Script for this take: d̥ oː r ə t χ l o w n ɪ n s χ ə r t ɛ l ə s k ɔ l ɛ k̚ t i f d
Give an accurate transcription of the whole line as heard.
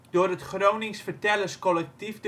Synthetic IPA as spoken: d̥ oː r ə t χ r o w n ɪ ŋ s f ə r t ɛ l ə s k ɔ l ɛ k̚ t i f d